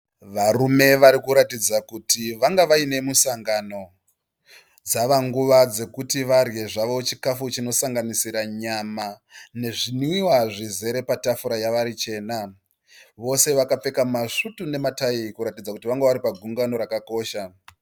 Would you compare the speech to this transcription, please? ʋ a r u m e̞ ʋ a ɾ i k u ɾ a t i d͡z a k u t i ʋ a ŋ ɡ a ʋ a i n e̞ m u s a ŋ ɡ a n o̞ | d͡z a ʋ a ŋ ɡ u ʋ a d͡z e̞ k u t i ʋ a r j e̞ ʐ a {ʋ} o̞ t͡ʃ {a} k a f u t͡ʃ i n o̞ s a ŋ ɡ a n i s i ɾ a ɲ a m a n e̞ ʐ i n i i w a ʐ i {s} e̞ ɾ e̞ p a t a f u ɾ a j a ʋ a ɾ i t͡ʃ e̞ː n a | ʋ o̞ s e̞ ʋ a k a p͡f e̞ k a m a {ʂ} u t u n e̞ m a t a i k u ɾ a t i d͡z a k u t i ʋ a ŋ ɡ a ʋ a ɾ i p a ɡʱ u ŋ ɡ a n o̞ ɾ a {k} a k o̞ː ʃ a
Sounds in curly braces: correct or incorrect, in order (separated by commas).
correct, incorrect, incorrect, correct, correct